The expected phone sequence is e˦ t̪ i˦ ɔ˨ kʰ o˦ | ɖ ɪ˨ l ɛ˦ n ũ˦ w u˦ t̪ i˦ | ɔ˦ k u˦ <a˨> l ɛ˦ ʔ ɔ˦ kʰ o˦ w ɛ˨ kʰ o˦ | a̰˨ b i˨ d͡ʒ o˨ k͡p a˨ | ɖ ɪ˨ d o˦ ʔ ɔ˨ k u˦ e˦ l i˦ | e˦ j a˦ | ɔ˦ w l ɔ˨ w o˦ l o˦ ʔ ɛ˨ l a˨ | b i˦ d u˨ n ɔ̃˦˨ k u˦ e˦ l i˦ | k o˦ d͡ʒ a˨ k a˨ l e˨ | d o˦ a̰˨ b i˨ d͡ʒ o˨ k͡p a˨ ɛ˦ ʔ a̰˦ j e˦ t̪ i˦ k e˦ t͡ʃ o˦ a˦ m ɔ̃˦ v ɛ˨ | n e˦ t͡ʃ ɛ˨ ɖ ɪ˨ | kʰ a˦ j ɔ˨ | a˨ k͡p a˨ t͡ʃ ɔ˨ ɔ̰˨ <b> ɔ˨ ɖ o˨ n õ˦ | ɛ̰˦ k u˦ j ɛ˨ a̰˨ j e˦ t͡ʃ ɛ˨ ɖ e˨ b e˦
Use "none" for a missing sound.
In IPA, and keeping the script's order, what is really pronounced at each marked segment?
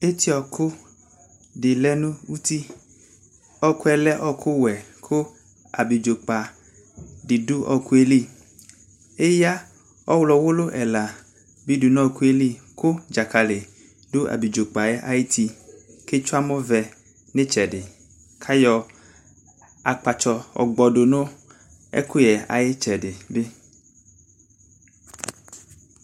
ɛ˨, ɡ͡b

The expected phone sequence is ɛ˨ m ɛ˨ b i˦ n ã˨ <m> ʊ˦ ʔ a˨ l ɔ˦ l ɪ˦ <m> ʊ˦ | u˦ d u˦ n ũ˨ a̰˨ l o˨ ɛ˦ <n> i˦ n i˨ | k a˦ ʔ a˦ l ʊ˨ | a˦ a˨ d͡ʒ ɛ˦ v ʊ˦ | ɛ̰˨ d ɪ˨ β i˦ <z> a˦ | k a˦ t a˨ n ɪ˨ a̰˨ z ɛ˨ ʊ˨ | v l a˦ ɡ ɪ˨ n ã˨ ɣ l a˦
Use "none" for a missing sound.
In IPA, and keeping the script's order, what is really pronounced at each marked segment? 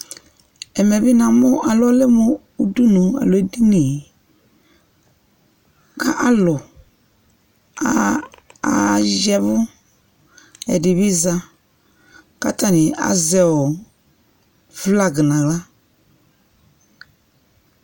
m, m, d, z

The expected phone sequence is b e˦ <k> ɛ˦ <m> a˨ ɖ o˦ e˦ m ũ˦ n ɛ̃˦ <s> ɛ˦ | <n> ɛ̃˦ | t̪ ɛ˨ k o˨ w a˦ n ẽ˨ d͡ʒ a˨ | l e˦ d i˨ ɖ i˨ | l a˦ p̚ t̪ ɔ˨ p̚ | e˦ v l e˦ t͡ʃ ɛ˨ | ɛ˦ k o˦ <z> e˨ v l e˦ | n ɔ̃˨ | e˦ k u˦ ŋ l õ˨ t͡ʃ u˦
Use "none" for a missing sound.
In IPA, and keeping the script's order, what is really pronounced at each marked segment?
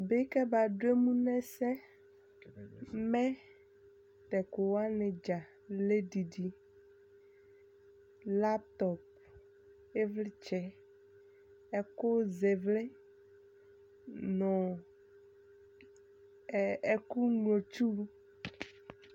k, b, s, m, z

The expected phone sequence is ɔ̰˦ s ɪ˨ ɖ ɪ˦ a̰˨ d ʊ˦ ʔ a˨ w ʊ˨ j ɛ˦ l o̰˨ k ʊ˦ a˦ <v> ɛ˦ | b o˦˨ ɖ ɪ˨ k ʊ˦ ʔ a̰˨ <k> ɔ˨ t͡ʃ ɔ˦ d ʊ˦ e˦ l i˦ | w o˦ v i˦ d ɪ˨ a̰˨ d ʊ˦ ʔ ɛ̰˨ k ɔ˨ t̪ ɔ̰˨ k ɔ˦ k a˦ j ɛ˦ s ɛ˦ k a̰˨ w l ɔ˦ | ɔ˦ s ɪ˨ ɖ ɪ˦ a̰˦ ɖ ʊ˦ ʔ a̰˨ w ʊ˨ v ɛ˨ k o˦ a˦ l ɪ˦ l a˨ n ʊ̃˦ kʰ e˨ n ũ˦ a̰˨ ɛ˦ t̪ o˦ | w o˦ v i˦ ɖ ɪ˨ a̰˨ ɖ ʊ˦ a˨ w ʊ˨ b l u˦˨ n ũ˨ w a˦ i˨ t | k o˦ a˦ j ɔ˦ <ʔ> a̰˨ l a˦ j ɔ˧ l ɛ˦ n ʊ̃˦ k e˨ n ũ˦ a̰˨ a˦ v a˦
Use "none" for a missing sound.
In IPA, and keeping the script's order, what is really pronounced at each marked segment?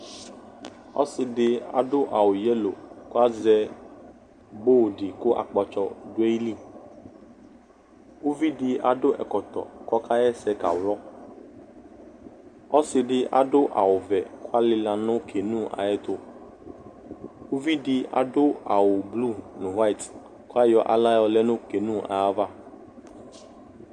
z, k͡p, ʔ

